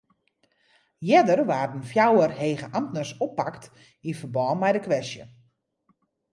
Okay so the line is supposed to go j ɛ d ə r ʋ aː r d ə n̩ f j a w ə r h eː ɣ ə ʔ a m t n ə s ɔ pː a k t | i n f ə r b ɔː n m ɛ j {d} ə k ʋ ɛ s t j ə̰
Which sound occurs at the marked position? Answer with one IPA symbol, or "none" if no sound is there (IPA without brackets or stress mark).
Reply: d